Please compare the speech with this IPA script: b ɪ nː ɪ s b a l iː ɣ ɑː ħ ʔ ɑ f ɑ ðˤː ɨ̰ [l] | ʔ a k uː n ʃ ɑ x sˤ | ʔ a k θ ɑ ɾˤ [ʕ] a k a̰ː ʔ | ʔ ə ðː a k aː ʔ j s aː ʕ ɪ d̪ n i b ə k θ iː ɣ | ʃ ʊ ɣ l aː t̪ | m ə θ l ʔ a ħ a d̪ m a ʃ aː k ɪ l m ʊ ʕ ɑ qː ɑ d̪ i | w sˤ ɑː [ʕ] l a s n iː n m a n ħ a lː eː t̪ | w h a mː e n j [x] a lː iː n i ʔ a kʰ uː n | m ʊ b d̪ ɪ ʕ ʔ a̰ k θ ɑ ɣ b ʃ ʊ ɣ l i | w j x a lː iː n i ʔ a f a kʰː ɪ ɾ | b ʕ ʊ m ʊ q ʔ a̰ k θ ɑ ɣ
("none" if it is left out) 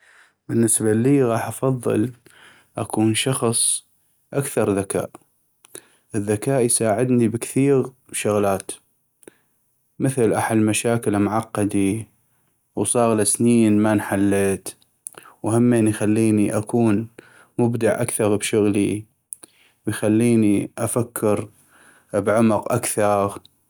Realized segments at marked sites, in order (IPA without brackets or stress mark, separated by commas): l, ð, ɣ, x